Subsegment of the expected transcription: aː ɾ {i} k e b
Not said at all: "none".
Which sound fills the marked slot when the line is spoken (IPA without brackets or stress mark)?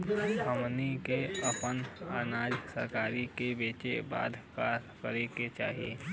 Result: i